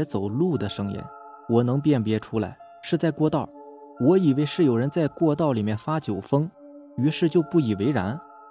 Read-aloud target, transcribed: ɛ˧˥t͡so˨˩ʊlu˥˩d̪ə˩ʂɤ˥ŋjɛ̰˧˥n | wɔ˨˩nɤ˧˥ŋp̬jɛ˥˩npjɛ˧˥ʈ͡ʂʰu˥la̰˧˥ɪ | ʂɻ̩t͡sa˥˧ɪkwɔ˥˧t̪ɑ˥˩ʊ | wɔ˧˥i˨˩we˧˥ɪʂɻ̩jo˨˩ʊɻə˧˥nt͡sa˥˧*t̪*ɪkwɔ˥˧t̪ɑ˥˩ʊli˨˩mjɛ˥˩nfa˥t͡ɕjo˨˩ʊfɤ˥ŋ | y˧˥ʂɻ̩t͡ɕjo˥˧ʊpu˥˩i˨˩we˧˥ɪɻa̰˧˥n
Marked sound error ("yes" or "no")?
yes